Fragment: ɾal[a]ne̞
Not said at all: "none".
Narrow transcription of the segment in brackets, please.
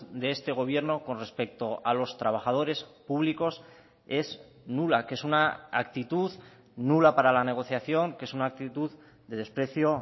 a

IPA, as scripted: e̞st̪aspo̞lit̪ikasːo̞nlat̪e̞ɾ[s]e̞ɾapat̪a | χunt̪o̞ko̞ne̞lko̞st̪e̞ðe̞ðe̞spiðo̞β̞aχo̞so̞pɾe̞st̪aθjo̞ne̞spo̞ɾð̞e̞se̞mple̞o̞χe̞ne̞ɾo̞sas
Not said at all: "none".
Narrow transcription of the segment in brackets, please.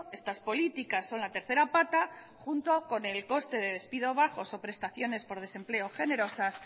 θ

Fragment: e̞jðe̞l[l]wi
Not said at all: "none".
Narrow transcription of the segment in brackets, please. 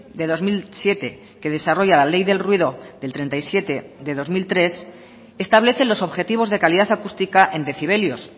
r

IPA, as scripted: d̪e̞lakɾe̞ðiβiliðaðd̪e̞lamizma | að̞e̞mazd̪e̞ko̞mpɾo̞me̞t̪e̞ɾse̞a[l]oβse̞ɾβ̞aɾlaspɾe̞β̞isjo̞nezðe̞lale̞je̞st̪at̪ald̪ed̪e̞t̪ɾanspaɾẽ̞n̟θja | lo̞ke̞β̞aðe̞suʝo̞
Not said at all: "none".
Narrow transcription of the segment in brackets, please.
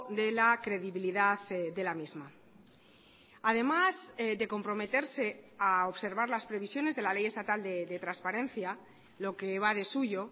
none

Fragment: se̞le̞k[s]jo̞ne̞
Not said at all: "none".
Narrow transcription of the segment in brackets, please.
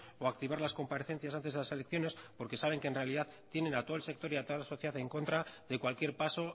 θ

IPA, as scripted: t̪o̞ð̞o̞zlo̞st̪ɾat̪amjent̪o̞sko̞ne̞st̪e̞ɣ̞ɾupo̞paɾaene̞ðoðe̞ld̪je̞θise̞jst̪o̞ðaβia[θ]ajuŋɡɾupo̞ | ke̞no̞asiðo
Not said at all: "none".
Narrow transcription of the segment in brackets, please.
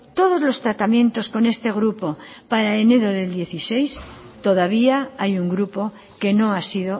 none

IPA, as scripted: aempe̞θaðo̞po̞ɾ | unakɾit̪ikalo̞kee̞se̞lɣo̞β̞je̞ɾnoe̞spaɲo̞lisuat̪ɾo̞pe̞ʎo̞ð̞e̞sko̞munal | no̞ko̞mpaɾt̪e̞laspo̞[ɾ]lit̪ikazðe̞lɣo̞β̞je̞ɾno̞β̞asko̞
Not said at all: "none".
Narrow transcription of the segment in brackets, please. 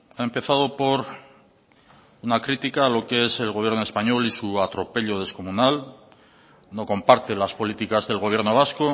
none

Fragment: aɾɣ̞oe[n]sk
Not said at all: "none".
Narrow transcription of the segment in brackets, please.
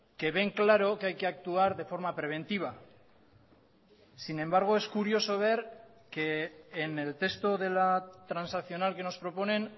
none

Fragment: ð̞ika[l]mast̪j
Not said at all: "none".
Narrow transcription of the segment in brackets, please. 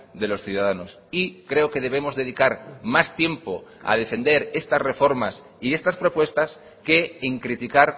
ɾ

